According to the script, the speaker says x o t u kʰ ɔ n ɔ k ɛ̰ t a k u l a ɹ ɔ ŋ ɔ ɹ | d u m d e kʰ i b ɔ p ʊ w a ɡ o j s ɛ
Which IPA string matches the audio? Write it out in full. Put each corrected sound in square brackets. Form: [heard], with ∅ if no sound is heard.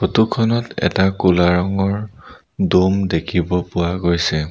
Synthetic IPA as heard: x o t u kʰ ɔ n ɔ [t] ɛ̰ t a k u l a ɹ ɔ ŋ ɔ ɹ | d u m d e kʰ i b ɔ p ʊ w a ɡ o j s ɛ